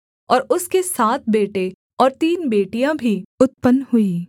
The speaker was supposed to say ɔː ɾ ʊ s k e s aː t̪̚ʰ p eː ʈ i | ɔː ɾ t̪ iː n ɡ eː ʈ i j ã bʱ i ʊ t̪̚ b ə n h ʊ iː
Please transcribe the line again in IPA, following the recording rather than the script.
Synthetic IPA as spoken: ɔː ɾ ʊ s k e s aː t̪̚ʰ b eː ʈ e | ɔː ɾ t̪ iː n b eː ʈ i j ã bʱ i ʊ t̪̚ p ə n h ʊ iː

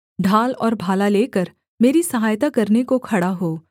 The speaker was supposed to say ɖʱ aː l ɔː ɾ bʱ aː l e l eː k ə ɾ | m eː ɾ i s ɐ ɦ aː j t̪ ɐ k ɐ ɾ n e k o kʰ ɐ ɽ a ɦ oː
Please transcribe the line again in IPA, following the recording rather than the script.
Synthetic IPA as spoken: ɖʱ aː l ɔː ɾ bʱ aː l a l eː k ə ɾ | m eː ɾ i s ɐ ɦ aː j t̪ a k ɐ ɾ n e k o kʰ ɐ ɽ a ɦ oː

